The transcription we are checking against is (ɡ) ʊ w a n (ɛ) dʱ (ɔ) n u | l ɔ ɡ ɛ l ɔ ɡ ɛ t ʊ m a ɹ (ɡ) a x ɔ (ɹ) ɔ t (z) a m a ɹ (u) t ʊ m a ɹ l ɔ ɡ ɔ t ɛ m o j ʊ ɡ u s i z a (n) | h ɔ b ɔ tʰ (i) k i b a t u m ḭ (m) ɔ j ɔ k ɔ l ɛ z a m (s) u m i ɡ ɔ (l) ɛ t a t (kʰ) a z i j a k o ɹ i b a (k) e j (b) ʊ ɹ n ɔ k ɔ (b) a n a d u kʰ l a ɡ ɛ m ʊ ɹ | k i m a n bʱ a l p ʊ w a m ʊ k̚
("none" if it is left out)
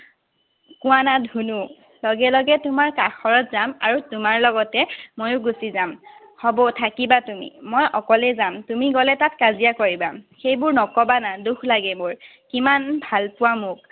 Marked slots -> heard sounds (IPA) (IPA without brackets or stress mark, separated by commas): k, a, u, k, ɹ, z, u, m, a, m, t, l, k, x, b, b